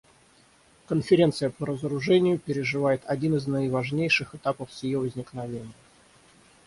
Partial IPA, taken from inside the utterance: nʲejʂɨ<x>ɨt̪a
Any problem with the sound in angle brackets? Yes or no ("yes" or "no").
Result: no